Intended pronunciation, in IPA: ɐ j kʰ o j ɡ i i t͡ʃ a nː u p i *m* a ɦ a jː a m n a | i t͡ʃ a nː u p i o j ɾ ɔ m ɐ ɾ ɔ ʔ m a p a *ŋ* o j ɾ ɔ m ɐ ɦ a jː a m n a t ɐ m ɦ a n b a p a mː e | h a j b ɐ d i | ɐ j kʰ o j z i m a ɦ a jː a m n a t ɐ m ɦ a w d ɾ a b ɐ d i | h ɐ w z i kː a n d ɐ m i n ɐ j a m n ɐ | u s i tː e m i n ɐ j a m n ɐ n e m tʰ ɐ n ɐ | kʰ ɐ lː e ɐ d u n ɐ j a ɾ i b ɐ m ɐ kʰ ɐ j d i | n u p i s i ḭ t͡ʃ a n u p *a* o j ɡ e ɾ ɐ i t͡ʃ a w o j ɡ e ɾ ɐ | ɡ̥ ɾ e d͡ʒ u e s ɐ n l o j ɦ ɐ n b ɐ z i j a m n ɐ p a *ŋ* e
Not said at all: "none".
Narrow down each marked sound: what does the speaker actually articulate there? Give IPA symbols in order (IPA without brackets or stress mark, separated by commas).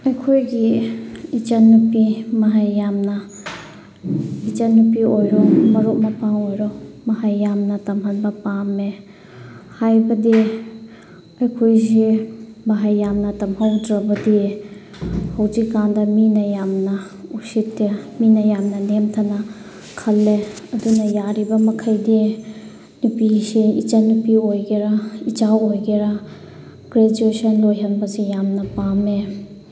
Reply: m, ŋ, i, m